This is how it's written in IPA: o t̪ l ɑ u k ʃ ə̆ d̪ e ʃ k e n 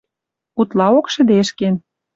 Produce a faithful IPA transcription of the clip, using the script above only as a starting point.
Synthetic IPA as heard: u t̪ l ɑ o k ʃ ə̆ d̪ e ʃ k e n